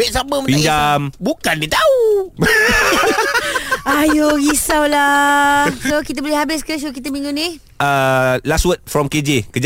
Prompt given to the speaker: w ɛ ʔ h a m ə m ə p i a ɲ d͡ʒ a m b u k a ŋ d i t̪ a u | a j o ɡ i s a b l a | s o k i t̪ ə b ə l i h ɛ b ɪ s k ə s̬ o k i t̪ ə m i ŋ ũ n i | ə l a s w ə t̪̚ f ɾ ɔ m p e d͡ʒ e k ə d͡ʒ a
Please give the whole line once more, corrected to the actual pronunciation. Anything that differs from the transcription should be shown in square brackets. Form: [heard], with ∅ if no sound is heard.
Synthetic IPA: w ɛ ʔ [s] a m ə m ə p i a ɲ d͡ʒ a m b u k a [n] d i t̪ a u | a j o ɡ i s a [w] l a | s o k i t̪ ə b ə l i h [a] b ɪ s k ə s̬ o k i t̪ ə m i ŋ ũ n i | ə l a s w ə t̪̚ f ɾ ɔ m [k] e d͡ʒ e k ə d͡ʒ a